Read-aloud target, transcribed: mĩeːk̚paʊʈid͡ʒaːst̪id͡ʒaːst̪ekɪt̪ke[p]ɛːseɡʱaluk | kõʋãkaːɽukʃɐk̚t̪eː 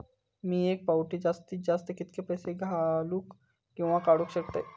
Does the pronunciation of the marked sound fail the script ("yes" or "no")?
no